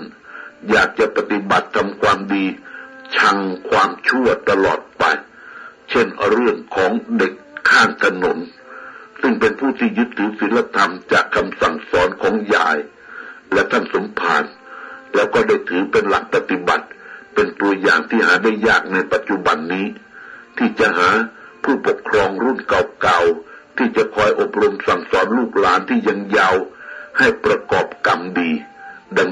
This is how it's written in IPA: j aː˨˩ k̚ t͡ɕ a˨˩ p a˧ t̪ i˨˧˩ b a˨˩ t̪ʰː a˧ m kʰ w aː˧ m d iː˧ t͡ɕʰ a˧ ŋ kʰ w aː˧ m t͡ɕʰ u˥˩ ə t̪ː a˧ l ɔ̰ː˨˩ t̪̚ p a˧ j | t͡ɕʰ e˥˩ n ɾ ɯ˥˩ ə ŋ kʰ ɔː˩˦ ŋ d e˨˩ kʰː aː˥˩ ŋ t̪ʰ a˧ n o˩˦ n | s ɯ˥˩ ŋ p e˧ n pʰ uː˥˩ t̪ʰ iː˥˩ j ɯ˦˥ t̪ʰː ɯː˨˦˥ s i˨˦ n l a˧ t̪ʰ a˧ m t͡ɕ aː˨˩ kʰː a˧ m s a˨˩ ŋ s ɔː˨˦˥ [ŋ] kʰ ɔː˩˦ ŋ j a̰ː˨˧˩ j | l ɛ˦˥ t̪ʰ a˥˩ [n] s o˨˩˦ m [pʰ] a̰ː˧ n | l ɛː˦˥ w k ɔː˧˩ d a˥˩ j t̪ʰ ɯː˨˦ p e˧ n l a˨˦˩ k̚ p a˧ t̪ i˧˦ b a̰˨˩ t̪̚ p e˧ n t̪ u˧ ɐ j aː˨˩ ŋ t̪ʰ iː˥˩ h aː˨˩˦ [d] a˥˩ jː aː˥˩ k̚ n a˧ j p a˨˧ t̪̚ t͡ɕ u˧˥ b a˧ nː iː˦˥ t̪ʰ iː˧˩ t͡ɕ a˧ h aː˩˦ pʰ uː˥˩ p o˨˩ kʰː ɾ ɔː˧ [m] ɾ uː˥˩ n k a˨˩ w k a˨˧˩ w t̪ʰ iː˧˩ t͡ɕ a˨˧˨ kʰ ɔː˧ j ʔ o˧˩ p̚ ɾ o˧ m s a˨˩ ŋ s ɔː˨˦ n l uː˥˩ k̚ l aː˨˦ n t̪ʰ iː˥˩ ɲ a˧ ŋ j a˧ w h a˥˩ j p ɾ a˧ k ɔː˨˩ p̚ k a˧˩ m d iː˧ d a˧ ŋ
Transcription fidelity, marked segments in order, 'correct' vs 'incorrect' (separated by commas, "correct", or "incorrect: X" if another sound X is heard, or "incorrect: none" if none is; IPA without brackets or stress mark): incorrect: n, correct, correct, correct, incorrect: ŋ